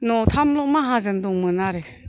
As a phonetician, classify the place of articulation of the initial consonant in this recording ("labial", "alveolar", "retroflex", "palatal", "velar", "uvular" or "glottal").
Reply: alveolar